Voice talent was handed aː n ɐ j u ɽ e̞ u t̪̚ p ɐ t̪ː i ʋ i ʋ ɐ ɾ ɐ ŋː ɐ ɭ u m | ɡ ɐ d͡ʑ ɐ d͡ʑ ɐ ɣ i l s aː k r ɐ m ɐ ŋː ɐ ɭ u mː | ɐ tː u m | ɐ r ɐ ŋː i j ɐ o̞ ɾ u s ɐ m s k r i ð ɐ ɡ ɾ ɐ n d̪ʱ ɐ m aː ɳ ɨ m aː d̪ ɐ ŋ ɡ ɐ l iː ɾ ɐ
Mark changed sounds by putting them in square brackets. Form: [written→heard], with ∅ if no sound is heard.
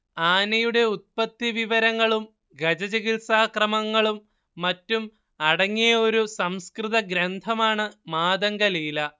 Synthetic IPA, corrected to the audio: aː n ɐ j u ɽ e̞ u t̪̚ p ɐ t̪ː i ʋ i ʋ ɐ ɾ ɐ ŋː ɐ ɭ u m | ɡ ɐ d͡ʑ ɐ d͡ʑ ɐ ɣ i l s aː k r ɐ m ɐ ŋː ɐ ɭ u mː | ɐ tː u m | ɐ [r→ɽ] ɐ ŋː i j ɐ o̞ ɾ u s ɐ m s k r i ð ɐ ɡ ɾ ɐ n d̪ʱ ɐ m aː ɳ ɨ m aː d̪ ɐ ŋ ɡ ɐ l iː [ɾ→l] ɐ